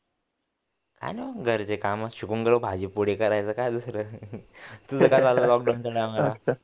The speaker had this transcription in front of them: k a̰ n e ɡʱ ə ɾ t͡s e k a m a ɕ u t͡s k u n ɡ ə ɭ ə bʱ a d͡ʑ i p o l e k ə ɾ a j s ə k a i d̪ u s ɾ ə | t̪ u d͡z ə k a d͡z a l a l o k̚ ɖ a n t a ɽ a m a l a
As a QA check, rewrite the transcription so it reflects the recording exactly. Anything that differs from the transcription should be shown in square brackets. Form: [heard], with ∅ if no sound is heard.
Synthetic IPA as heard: k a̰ n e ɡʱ ə ɾ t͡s e k a m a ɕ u [∅] k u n ɡ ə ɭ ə bʱ a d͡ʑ i p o [ɽ] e k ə ɾ a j [t͡s] ə k a [j] d̪ u s ɾ ə | t̪ u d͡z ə k a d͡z a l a l [ɔ] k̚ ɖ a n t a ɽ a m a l a